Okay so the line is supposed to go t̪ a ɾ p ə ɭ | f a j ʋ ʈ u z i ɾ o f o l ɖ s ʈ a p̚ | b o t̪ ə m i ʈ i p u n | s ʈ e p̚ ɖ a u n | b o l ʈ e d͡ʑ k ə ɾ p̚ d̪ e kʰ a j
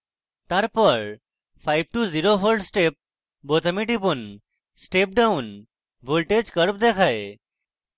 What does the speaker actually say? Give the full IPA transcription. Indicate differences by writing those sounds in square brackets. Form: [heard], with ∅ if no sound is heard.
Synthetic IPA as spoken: t̪ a ɾ p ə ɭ | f a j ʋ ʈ u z i ɾ o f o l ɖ s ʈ [e] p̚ | b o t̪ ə m i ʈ i p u n | s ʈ e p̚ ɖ a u n | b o l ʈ e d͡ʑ k ə ɾ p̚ d̪ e kʰ a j